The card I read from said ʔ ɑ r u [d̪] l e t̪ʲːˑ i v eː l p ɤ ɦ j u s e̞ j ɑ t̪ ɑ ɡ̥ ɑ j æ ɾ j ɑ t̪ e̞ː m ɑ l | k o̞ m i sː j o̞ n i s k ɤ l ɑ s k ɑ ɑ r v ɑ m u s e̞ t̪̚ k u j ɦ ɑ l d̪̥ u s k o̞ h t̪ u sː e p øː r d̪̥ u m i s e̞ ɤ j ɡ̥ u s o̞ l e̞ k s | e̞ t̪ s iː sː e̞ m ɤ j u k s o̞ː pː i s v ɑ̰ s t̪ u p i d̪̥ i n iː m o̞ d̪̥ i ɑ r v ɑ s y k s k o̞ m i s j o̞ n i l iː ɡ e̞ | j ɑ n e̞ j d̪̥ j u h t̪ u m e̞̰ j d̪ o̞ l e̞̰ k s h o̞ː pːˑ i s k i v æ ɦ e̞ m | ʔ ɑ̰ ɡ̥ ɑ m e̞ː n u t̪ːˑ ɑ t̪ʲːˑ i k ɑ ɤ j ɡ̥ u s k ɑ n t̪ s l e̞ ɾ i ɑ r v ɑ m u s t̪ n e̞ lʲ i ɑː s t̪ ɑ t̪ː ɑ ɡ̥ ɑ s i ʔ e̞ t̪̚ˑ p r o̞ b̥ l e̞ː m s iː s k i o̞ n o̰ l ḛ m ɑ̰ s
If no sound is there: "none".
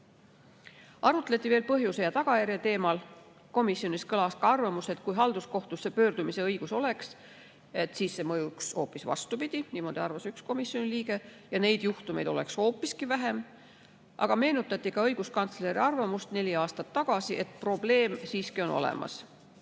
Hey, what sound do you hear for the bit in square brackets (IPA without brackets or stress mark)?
t̪